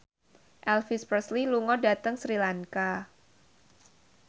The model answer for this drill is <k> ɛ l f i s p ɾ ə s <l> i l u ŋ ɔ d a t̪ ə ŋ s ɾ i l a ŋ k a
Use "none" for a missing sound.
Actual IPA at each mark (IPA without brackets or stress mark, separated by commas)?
ʔ, l